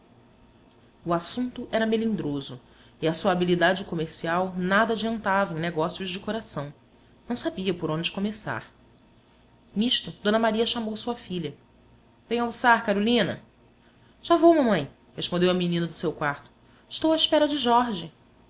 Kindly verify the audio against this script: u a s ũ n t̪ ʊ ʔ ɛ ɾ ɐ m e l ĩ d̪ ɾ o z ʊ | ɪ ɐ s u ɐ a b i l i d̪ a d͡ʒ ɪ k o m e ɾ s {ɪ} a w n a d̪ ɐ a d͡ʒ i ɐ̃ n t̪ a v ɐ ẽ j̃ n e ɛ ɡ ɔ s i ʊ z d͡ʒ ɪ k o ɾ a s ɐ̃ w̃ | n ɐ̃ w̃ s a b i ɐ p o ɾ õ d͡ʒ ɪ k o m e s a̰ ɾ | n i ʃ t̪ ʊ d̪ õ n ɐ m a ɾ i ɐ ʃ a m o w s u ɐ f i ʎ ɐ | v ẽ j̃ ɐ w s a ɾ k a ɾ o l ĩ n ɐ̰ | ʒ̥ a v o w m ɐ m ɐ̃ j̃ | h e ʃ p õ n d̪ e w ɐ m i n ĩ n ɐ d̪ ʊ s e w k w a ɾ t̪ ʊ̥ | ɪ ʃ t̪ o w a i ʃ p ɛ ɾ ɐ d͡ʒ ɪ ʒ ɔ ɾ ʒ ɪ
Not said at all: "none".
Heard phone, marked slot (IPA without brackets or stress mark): i